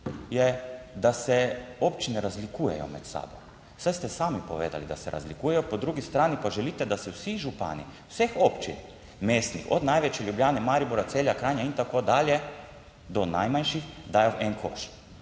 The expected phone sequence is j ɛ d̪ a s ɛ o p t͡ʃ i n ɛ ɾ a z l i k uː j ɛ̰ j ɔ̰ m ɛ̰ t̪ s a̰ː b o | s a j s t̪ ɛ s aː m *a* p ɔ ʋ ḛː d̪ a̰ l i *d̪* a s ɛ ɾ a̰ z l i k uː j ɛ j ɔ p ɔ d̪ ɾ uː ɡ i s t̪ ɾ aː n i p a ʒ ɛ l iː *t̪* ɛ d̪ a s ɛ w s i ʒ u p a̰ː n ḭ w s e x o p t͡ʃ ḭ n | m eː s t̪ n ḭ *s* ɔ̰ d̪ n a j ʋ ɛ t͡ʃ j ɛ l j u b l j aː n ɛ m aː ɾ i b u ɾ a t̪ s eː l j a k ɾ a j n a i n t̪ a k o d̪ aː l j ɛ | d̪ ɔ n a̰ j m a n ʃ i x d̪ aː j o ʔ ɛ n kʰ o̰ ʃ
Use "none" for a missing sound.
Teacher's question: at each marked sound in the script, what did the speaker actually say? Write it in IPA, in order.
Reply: i, d̪, t̪, x

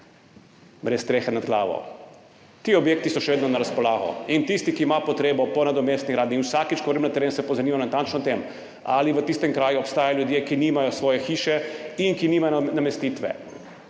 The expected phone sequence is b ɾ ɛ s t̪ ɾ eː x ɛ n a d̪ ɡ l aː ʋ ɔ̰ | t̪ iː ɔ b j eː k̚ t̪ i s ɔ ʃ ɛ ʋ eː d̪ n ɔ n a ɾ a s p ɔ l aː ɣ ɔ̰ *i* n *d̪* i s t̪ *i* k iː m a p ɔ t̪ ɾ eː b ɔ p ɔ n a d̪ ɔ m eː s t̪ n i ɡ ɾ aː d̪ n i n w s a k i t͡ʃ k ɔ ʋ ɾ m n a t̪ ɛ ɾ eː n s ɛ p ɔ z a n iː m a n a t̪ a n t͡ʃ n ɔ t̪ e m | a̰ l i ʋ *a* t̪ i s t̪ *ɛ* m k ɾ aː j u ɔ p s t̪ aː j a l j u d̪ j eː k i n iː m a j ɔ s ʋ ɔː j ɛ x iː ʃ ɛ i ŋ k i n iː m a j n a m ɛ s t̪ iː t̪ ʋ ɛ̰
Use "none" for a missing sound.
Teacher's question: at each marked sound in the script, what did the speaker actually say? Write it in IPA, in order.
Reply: i, t̪, i, ə, ɛ

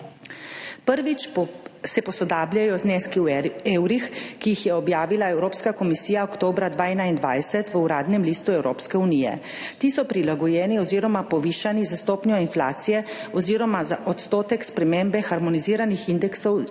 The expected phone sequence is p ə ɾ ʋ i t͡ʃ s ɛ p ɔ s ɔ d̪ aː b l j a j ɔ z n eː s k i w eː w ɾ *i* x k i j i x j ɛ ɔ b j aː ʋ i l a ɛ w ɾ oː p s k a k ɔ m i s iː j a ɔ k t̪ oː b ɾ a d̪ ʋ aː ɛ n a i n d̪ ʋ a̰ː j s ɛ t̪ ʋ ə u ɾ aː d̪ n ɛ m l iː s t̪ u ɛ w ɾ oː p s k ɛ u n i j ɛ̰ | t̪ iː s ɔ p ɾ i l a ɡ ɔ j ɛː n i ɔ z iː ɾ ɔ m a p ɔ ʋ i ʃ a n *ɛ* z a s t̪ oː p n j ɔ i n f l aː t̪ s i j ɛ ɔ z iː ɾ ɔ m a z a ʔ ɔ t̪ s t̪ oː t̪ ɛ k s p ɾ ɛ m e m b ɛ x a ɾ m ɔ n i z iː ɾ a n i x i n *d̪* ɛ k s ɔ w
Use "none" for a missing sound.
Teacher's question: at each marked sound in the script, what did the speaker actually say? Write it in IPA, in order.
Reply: i, i, d̪

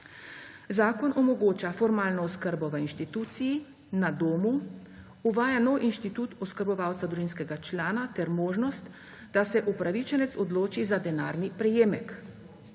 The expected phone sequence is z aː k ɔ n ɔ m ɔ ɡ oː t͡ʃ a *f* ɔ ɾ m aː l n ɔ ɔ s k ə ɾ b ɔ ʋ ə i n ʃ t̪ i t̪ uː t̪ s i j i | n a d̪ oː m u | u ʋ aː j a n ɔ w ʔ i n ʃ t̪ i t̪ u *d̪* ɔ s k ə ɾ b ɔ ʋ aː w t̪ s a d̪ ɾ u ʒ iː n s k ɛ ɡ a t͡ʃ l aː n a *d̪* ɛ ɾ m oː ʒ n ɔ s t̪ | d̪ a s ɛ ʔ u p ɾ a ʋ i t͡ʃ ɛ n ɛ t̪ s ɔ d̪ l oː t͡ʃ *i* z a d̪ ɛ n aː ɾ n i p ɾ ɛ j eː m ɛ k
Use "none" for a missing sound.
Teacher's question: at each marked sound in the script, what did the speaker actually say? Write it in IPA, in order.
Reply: f, t̪, t̪, i

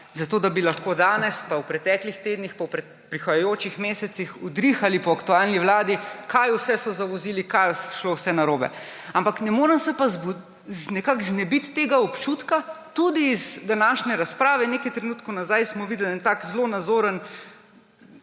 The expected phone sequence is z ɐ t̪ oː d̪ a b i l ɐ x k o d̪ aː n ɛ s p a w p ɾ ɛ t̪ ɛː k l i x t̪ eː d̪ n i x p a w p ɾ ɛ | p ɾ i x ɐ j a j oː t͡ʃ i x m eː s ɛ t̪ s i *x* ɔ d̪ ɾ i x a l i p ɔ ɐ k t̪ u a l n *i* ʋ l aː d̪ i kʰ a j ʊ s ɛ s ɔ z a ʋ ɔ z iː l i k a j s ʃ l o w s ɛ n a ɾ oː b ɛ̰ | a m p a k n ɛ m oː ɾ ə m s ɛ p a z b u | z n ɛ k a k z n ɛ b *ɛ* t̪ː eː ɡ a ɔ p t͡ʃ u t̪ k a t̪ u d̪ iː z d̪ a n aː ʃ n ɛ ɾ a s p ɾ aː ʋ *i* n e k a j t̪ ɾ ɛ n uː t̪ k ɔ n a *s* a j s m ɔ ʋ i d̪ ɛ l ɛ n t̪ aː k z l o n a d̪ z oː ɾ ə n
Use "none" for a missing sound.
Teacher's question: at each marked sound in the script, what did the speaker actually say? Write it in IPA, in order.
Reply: x, i, i, ɛ, z

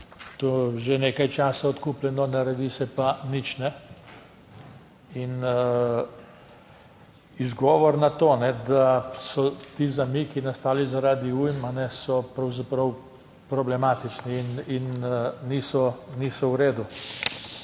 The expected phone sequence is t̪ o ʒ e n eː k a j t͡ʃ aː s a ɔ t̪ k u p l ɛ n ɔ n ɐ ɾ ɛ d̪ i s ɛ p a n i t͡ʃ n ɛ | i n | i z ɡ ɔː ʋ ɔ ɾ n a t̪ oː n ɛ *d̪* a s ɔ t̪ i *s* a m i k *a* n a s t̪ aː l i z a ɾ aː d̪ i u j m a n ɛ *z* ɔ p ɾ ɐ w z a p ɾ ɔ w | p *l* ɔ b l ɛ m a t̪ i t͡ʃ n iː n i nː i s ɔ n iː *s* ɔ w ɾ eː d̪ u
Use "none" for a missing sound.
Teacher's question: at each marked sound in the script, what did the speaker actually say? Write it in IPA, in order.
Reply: d̪, z, i, s, ɾ, s

